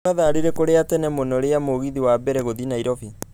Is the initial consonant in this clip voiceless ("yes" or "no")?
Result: no